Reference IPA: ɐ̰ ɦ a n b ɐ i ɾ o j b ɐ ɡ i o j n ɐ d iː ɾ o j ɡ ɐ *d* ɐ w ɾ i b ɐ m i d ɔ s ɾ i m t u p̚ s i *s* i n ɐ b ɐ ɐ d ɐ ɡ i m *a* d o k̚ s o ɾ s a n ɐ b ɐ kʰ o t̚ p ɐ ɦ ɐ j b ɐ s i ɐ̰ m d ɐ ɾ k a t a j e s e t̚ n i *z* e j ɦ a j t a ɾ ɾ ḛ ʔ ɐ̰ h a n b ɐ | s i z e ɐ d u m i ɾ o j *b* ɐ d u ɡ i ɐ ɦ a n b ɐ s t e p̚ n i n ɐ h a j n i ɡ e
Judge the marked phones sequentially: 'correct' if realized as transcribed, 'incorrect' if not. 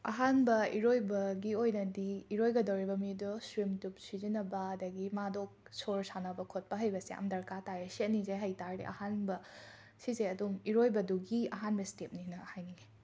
correct, incorrect: z, correct, correct, correct

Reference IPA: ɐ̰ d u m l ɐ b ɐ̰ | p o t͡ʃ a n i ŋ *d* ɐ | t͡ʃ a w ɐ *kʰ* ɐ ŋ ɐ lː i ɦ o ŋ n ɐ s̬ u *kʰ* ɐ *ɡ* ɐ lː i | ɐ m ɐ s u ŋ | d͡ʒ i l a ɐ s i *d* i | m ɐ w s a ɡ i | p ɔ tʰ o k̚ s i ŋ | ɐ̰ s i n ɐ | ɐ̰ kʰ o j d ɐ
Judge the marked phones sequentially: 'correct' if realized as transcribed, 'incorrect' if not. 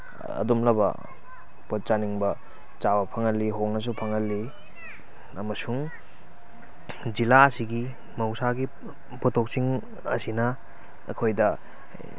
incorrect: b, incorrect: pʰ, incorrect: pʰ, incorrect: ŋ, incorrect: ɡ

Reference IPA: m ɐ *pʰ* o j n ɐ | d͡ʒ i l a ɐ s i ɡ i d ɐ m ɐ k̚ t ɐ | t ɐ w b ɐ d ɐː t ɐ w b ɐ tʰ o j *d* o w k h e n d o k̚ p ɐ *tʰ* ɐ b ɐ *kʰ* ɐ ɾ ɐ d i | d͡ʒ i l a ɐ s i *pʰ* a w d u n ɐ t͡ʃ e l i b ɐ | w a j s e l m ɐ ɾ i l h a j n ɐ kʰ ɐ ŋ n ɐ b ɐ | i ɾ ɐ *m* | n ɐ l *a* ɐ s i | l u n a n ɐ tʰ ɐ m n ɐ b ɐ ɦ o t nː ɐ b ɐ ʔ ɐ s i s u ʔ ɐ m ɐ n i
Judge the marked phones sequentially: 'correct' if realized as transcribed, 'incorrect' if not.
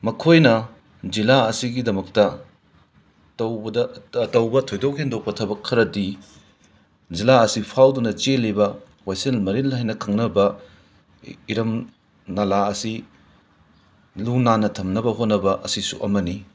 incorrect: kʰ, correct, correct, correct, correct, correct, correct

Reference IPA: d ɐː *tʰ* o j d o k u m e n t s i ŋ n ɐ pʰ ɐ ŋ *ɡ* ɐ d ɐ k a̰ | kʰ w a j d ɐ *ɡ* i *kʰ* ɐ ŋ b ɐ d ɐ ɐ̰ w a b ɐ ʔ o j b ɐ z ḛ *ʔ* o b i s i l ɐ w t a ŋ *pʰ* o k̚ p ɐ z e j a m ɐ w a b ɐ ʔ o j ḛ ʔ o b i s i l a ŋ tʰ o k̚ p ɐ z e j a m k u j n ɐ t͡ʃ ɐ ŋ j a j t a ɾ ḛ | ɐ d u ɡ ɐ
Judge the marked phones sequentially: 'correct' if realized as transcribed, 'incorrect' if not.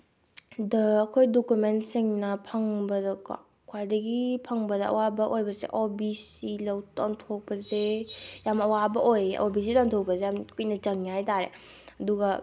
incorrect: kʰ, incorrect: b, correct, incorrect: pʰ, correct, incorrect: tʰ

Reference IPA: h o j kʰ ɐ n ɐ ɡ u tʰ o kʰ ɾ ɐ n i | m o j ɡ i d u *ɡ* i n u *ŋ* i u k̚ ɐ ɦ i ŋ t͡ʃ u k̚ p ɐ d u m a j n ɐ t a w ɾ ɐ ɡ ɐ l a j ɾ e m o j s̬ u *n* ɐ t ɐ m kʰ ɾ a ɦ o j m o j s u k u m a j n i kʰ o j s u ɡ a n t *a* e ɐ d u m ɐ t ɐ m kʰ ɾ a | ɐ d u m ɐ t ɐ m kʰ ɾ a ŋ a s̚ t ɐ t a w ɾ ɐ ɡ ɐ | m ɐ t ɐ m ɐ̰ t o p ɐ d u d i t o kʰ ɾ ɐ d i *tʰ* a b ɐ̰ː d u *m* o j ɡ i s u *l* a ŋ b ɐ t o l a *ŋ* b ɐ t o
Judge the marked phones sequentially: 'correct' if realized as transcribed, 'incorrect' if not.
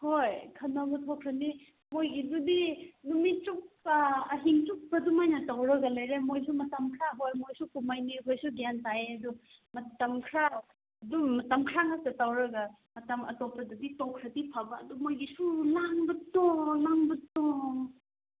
incorrect: d, incorrect: m, incorrect: m, correct, incorrect: pʰ, correct, correct, correct

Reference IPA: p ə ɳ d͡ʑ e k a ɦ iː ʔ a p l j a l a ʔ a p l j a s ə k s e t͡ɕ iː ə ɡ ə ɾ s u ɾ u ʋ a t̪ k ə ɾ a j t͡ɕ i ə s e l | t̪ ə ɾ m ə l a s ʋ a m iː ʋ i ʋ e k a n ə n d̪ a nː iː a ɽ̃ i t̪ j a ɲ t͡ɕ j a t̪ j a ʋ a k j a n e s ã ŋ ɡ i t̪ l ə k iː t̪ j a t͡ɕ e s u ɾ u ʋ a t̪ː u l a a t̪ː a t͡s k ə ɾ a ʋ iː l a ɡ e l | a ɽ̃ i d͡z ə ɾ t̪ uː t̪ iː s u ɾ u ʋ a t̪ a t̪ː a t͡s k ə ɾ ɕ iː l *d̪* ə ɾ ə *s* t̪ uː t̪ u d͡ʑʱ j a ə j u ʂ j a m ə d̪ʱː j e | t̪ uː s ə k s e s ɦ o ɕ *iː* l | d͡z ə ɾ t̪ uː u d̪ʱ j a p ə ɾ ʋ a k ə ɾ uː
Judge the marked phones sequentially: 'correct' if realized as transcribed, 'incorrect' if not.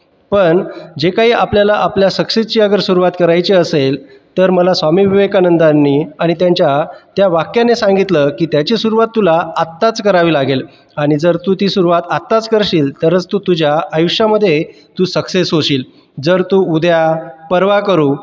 incorrect: t̪, incorrect: t͡s, correct

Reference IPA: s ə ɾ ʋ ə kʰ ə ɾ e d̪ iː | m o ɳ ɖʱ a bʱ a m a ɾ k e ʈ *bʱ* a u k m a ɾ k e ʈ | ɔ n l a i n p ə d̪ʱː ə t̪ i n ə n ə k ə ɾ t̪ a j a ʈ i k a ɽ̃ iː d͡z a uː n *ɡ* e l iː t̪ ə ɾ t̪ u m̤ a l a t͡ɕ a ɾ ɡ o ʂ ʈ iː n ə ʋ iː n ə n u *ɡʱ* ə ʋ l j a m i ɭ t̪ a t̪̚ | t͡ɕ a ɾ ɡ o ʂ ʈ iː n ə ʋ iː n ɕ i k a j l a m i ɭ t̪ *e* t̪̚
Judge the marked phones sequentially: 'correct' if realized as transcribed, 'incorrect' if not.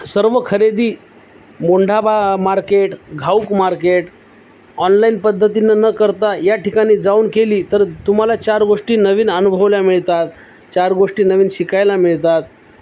incorrect: ɡʱ, incorrect: k, incorrect: bʱ, incorrect: a

